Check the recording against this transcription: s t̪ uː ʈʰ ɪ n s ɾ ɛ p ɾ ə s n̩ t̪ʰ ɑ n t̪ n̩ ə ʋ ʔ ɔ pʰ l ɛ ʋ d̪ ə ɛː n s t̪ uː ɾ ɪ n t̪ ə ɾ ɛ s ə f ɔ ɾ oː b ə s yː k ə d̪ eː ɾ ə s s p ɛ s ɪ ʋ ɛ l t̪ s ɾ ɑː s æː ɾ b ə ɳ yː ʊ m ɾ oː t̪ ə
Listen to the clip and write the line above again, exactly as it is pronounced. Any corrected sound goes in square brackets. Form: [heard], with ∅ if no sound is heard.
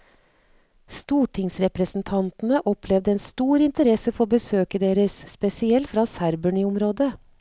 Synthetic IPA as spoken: s t̪ uː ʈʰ ɪ [ŋ] s ɾ ɛ p ɾ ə s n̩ t̪ʰ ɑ n t̪ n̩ ə [∅] ʔ ɔ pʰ l ɛ ʋ d̪ ə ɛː n s t̪ uː ɾ ɪ n t̪ ə ɾ ɛ s ə f ɔ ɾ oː b ə s [øː] k ə d̪ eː ɾ ə s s p ɛ s ɪ [∅] ɛ l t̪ [f] ɾ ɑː s [æ] ɾ b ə ɳ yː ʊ m ɾ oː [d̪] ə